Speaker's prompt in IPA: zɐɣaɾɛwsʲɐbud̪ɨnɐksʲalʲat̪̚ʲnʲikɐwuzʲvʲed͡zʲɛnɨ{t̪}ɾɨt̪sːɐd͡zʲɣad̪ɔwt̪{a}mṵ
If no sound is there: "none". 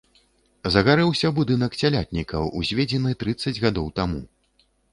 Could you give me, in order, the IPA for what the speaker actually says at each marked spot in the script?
t̪, a

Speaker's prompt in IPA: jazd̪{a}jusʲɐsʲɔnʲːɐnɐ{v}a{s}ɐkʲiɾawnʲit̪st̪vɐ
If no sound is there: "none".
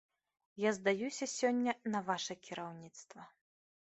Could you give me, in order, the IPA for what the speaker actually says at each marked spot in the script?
a, v, ʂ

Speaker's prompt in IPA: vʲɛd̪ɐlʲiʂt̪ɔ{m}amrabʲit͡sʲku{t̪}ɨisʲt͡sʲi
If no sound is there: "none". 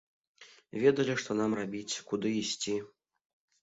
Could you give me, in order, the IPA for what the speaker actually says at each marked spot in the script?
n, d̪

